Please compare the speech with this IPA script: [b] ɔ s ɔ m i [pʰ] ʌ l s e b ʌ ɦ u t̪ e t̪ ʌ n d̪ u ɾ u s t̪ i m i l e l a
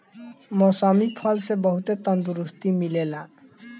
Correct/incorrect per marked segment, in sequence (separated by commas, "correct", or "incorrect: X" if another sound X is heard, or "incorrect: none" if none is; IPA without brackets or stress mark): incorrect: m, correct